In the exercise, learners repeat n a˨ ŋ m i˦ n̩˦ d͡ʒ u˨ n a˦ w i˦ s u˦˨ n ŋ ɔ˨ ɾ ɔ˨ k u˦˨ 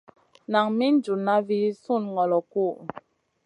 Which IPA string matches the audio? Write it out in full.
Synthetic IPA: n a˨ ŋ m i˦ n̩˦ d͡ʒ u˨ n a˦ v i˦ s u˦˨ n ŋ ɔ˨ l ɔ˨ k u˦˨